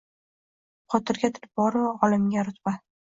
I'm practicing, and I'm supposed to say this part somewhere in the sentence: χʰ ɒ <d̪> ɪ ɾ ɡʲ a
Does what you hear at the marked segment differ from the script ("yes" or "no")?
yes